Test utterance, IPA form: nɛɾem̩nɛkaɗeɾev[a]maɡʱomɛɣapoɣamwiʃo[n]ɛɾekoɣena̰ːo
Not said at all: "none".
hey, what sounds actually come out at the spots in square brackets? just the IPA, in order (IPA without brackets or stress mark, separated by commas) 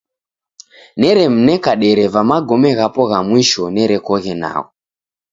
a, n